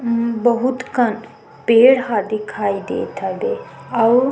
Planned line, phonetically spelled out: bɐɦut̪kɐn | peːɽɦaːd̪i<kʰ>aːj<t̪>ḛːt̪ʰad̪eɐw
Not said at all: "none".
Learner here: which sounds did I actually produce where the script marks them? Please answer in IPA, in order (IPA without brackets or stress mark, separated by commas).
kʰ, d̪